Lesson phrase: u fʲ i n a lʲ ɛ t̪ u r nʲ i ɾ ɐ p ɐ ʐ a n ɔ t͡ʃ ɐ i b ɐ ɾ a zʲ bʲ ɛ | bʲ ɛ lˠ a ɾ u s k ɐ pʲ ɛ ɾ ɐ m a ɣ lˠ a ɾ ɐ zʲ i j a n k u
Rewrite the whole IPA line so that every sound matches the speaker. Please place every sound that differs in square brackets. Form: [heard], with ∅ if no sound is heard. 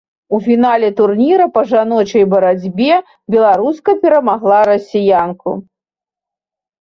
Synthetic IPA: u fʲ i n a lʲ ɛ t̪ u r nʲ i ɾ ɐ p ɐ ʐ a n ɔ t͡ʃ ɐ [j] b ɐ ɾ a [d͡zʲ] bʲ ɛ | bʲ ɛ lˠ a ɾ u s k ɐ pʲ ɛ ɾ ɐ m a ɣ lˠ a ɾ ɐ [sʲ] i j a n k u